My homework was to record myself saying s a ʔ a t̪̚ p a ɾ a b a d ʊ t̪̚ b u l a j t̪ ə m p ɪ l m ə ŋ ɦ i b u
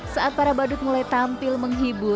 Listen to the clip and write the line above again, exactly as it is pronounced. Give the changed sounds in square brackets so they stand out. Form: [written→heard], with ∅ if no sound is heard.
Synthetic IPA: s a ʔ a t̪̚ p a ɾ a b a d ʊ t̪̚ [b→m] u l a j t̪ [ə→a] m p ɪ l m ə ŋ ɦ i b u